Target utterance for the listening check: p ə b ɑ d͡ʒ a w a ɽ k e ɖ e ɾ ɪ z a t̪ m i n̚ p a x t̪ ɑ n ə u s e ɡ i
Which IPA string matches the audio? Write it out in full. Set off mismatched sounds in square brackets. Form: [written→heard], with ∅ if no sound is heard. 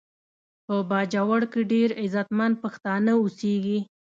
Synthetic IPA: p ə b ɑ d͡ʒ a w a ɽ k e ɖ e ɾ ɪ z a t̪ m [i→a] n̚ p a x t̪ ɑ n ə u s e ɡ i